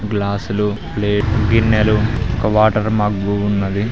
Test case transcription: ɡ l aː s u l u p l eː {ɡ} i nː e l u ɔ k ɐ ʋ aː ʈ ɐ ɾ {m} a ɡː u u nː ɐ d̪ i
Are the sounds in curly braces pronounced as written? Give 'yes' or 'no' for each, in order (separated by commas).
yes, yes